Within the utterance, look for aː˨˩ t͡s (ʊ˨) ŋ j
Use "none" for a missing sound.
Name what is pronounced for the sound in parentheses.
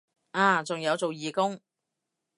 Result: ʊ˨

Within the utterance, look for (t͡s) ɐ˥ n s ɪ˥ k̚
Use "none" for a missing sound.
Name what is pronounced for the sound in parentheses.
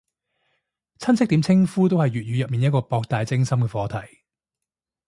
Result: t͡sʰ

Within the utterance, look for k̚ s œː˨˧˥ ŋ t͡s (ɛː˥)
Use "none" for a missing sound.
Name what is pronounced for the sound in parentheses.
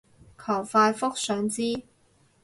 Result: iː˥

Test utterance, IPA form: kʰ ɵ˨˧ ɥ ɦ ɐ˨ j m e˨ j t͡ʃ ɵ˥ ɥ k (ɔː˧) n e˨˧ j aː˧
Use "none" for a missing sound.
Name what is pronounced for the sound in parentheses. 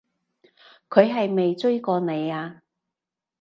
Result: ɔː˧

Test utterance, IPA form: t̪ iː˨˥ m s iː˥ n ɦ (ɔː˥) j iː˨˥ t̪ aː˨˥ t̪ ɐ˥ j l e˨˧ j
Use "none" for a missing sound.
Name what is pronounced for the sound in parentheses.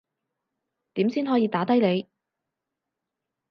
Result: ɔː˨˥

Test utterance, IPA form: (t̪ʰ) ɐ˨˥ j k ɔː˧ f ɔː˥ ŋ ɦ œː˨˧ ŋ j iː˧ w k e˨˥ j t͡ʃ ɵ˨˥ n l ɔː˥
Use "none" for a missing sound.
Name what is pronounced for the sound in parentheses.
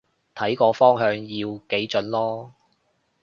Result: t̪ʰ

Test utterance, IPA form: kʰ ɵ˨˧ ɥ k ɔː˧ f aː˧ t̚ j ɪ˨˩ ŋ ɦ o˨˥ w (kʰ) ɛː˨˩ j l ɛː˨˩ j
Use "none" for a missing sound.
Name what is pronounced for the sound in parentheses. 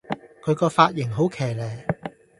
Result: kʰ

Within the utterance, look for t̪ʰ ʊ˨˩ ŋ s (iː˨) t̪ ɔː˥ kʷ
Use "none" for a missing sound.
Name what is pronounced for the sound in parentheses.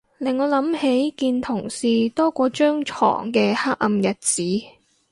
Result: iː˨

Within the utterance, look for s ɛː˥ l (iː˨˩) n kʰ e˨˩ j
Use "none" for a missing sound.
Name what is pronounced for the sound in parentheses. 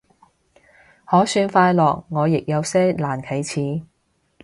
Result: aː˨˩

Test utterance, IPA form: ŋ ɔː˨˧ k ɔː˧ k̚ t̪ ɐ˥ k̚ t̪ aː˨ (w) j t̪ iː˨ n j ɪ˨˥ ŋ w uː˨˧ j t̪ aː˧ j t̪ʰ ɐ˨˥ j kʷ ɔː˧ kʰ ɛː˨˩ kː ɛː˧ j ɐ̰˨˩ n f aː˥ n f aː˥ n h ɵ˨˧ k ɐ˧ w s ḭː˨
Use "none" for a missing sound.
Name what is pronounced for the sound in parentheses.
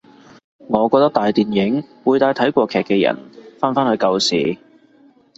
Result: none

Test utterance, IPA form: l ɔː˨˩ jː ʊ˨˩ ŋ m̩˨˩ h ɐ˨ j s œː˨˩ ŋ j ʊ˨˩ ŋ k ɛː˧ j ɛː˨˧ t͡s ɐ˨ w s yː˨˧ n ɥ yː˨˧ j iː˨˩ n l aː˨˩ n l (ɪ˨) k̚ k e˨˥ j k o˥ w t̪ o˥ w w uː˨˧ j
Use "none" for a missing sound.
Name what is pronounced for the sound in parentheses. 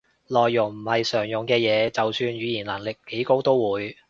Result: ɪ˨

